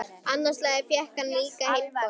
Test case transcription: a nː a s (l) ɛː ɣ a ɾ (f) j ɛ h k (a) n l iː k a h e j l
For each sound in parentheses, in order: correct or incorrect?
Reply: correct, correct, correct

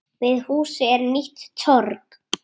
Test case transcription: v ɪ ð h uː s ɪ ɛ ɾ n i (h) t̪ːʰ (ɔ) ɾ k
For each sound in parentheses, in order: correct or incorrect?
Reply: correct, correct

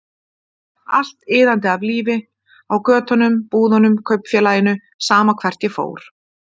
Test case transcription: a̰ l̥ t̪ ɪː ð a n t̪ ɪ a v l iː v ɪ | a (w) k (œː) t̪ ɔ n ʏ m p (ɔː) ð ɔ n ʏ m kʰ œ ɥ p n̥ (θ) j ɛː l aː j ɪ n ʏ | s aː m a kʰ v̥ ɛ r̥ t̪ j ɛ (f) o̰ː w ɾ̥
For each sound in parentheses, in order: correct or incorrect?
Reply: correct, correct, incorrect, incorrect, correct

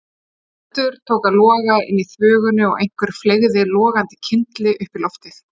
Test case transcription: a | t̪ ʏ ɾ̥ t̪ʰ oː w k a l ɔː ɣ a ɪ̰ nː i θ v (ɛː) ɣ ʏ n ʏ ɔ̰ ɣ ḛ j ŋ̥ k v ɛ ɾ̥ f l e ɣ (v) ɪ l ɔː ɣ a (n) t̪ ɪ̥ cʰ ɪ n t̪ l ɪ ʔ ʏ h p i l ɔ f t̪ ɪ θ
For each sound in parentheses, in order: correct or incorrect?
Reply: incorrect, incorrect, correct

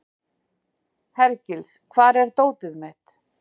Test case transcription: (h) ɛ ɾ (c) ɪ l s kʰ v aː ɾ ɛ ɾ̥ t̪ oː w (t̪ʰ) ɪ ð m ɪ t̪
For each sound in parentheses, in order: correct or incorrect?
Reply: correct, correct, incorrect

